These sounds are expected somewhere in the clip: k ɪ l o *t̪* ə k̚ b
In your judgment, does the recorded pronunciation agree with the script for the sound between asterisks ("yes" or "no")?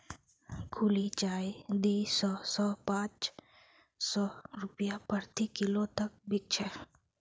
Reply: yes